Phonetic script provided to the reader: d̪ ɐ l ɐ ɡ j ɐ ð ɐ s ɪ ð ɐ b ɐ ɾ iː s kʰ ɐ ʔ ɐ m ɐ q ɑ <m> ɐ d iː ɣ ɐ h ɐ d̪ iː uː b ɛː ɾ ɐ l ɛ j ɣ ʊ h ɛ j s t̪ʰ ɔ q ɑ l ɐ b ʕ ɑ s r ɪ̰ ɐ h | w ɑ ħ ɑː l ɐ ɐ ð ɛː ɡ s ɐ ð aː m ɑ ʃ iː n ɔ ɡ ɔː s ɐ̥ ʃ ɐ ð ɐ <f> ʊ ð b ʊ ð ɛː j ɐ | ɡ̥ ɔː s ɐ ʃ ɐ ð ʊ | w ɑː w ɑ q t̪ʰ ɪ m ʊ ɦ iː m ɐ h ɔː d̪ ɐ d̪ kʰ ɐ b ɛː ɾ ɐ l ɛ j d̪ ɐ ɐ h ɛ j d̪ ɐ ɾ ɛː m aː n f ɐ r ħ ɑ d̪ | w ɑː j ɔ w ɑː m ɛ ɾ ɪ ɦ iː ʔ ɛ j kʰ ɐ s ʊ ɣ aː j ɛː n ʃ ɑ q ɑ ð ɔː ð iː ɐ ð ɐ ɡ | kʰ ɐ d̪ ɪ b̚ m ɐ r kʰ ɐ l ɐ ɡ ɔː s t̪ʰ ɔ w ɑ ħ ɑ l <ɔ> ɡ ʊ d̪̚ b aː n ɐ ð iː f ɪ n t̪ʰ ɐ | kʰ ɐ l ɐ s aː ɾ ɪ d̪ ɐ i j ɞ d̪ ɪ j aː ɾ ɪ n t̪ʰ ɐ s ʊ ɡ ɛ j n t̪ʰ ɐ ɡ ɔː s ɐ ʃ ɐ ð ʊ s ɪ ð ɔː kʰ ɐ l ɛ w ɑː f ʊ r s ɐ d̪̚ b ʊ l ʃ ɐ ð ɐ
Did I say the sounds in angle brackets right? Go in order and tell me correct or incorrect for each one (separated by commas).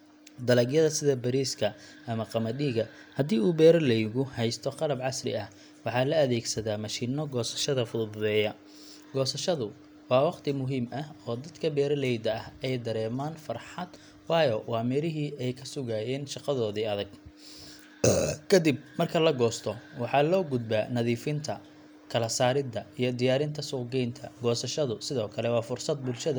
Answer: correct, correct, incorrect